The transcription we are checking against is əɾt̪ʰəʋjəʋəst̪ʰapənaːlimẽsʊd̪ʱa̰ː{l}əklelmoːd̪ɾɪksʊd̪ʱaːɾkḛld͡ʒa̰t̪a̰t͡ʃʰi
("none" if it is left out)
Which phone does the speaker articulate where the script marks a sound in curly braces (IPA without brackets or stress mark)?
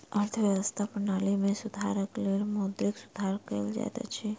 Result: ɾ